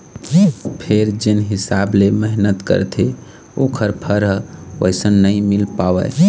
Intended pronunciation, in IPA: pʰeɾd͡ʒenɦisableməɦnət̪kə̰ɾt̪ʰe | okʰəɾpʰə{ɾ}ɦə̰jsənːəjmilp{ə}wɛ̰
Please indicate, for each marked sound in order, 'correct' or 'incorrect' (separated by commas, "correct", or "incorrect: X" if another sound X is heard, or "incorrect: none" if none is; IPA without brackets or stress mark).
correct, incorrect: a